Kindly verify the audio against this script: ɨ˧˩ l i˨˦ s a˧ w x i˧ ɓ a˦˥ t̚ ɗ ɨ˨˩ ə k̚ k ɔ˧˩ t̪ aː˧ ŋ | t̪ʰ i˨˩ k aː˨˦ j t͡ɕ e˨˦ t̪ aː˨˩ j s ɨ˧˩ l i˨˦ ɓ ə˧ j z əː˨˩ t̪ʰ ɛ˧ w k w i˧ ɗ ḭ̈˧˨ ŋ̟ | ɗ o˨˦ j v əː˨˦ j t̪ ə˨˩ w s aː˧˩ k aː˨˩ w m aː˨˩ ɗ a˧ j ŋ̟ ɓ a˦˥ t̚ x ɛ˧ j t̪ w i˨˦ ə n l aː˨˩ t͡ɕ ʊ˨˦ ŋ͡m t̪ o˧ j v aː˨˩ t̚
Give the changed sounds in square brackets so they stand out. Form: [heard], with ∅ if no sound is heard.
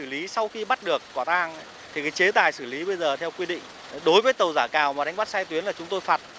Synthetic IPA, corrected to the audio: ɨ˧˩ l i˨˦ s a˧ w x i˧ ɓ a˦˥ t̚ ɗ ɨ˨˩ ə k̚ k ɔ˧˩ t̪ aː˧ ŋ | t̪ʰ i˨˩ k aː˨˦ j t͡ɕ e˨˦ t̪ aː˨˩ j s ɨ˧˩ l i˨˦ ɓ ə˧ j z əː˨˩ t̪ʰ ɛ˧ w k w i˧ ɗ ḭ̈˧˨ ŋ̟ | ɗ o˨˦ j v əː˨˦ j t̪ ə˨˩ w [z] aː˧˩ k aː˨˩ w m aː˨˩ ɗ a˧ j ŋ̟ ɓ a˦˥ t̚ [s] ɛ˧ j t̪ w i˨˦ ə n l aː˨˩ t͡ɕ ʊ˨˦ ŋ͡m t̪ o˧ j [f] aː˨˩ t̚